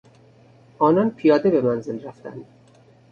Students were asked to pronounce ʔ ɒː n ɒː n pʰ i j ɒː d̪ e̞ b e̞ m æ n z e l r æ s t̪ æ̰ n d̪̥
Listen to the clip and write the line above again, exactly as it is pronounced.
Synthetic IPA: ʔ ɒː n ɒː n pʰ i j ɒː d̪ e̞ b e̞ m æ n z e l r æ f t̪ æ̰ n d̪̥